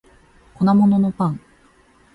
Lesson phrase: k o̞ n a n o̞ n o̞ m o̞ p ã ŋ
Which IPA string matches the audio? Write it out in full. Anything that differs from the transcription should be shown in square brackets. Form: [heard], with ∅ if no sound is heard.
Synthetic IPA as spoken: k o̞ n a [m] o̞ n o̞ [n] o̞ p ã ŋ